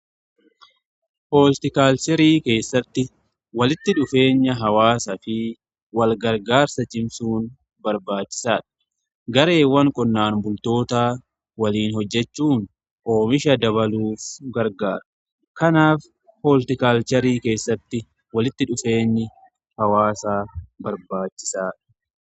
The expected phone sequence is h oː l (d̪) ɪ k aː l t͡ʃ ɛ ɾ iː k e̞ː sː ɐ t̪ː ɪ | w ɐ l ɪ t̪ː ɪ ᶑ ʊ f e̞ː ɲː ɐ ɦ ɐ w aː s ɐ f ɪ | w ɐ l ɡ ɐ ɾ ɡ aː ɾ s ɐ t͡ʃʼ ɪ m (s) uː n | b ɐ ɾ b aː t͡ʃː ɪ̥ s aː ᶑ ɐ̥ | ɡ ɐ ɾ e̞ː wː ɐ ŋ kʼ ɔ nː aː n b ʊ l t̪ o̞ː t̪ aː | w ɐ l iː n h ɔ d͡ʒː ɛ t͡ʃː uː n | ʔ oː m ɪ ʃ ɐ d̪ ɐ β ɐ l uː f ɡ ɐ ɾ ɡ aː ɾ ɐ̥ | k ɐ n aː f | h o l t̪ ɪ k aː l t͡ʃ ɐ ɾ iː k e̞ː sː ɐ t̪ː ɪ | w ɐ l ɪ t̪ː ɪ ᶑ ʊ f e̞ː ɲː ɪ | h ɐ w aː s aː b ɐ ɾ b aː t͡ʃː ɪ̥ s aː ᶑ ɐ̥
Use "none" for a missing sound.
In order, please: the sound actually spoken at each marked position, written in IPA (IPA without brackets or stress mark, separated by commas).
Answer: t̪, s